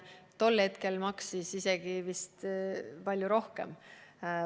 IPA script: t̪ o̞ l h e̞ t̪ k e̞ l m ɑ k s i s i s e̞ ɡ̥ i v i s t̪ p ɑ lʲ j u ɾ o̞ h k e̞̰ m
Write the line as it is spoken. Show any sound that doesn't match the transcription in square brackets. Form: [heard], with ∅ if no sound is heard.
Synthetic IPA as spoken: t̪ o̞ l h e̞ t̪ k e̞ l m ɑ k s i s i s e̞ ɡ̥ i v i s t̪ p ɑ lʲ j u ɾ o̞ h k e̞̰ m